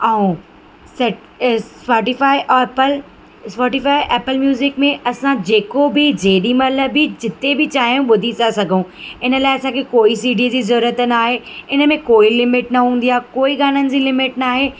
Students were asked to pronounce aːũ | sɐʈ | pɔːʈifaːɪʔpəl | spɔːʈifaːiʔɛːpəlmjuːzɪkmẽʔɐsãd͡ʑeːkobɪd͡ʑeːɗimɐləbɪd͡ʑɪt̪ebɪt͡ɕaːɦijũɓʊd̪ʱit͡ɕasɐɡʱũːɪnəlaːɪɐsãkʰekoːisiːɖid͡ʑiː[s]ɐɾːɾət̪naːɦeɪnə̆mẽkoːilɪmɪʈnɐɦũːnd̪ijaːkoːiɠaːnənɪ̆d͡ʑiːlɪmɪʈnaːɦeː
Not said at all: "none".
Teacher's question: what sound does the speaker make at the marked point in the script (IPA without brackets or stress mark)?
z